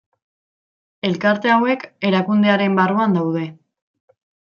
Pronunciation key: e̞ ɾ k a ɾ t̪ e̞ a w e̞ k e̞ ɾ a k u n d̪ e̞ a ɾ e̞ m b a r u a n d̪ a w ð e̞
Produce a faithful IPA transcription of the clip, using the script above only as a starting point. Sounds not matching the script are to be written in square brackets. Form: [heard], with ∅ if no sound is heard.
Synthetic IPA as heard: e̞ [l] k a ɾ t̪ e̞ a w e̞ k e̞ ɾ a k u n d̪ e̞ a ɾ e̞ m b a r u a n d̪ a w ð e̞